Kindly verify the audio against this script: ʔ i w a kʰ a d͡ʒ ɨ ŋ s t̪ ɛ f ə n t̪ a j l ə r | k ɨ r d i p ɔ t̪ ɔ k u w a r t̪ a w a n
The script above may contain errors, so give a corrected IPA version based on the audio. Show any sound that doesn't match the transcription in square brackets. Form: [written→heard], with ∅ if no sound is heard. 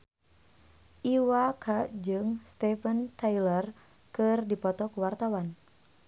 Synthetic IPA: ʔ i w a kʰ a d͡ʒ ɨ ŋ s t̪ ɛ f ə n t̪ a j l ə r | k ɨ r d i p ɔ t̪ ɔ k u w a r t̪ a w a n